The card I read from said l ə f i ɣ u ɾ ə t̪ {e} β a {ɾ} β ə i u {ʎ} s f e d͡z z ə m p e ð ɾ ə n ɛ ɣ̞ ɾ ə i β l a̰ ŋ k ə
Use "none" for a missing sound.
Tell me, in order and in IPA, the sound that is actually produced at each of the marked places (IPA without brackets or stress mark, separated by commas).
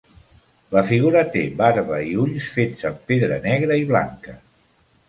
e, ɾ, ʎ